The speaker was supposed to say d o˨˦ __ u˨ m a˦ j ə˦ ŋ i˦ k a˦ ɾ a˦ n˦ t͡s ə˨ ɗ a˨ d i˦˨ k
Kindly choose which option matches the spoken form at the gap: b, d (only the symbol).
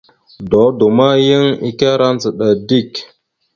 d